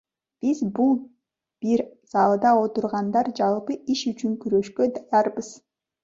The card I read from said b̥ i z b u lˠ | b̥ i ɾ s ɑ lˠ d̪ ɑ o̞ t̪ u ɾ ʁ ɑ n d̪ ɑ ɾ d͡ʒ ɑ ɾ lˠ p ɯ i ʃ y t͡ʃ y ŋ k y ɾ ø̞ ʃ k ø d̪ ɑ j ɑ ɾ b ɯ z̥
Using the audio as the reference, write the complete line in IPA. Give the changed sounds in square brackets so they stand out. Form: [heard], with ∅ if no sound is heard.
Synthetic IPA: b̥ i z b u lˠ | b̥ i ɾ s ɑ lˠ d̪ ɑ o̞ t̪ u ɾ ʁ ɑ n d̪ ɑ ɾ d͡ʒ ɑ [∅] lˠ p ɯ i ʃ y t͡ʃ y ŋ k y ɾ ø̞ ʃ k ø d̪ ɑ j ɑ ɾ b ɯ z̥

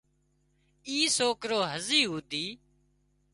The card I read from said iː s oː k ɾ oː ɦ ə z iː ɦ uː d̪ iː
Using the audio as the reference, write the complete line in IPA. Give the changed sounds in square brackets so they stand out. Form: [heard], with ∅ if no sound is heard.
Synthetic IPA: iː s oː k ɾ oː ɦ ə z iː ɦ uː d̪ iː

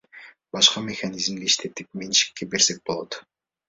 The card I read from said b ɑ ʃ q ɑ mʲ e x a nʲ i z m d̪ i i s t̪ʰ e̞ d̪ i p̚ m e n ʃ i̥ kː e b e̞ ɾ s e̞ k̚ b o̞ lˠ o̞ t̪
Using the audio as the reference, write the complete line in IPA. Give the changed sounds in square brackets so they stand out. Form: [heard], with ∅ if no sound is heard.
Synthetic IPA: b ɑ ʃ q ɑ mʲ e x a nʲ i z m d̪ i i [ʃ] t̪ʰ e̞ [t̪] i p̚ m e n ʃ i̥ kː e b e̞ ɾ s e̞ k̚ b o̞ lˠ o̞ t̪

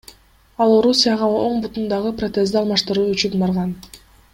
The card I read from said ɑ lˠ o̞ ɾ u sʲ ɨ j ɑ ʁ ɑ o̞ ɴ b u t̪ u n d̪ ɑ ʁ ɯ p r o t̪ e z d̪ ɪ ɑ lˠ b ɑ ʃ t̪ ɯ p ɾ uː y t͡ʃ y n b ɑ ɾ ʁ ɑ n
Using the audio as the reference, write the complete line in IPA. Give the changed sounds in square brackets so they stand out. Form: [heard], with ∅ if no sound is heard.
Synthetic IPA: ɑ lˠ o̞ ɾ u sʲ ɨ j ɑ ʁ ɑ o̞ ɴ b u t̪ u n d̪ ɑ ʁ ɯ p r o t̪ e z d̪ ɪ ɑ lˠ [m] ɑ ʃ t̪ ɯ [∅] ɾ uː y t͡ʃ y n b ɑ ɾ ʁ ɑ n

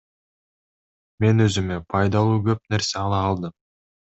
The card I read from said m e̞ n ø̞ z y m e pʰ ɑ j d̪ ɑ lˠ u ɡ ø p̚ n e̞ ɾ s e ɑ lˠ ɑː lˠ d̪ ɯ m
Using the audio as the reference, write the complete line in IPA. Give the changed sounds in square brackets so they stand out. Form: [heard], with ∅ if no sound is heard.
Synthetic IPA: m e̞ n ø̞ z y m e pʰ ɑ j d̪ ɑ lˠ [uː] ɡ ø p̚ n e̞ ɾ s e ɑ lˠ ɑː lˠ d̪ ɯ m

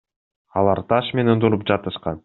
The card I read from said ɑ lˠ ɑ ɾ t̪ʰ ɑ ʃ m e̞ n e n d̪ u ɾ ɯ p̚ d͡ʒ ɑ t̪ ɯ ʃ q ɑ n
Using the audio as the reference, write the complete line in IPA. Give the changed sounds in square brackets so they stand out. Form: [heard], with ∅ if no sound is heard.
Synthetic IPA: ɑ lˠ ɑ ɾ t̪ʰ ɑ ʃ m e̞ n e n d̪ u ɾ [u] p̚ d͡ʒ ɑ t̪ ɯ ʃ q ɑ n

